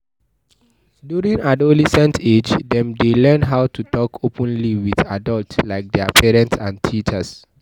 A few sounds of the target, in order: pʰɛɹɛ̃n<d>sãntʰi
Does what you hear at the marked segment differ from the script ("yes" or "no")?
yes